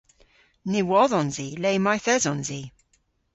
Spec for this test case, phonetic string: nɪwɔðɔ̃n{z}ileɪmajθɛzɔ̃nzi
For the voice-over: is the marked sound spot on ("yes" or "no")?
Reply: yes